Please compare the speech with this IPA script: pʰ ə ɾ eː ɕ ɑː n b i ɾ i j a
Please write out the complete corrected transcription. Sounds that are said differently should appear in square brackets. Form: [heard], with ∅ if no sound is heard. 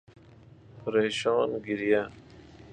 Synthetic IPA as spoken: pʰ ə ɾ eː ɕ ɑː n [ɡ] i ɾ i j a